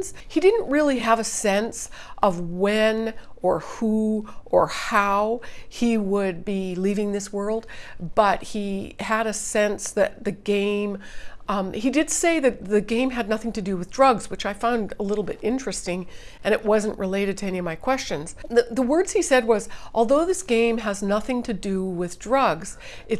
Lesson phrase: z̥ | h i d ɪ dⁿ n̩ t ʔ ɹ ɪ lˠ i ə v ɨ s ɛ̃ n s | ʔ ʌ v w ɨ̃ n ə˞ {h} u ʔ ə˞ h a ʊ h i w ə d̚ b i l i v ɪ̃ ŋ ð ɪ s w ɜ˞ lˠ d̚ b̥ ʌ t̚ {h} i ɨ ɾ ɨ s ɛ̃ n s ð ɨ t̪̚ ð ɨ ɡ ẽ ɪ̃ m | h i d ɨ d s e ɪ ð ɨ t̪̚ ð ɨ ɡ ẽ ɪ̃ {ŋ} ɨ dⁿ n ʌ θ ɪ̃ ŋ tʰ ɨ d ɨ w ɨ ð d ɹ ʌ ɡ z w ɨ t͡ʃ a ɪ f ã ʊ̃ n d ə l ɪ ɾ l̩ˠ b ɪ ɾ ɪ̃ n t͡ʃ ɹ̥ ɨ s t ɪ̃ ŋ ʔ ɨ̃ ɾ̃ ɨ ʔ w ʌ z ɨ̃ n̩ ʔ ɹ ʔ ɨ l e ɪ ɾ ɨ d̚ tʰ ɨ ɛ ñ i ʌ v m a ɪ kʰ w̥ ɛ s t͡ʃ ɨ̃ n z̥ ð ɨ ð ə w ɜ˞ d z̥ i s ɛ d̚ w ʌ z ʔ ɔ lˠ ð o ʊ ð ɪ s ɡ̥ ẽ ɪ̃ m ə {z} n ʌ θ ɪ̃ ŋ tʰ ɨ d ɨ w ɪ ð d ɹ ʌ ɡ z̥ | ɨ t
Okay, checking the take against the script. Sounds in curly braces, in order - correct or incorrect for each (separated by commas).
correct, correct, incorrect, correct